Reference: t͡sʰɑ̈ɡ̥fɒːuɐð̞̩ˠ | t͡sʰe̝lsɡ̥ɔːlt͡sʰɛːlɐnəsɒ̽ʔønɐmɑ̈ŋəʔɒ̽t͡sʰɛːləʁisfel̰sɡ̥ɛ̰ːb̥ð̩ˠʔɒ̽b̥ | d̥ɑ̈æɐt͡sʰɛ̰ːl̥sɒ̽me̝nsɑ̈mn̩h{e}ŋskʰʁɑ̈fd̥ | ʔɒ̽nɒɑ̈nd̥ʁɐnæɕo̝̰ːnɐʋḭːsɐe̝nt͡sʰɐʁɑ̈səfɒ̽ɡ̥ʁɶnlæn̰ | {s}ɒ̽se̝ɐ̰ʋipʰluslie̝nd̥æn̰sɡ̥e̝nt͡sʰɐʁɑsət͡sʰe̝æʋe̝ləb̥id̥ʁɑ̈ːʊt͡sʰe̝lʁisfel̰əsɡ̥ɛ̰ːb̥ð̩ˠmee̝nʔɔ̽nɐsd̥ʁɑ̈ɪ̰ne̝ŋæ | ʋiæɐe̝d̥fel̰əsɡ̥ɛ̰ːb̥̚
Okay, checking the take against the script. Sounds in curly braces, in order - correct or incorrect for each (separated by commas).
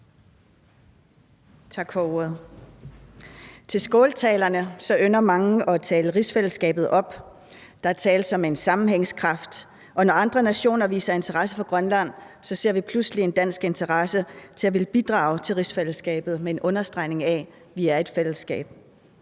correct, correct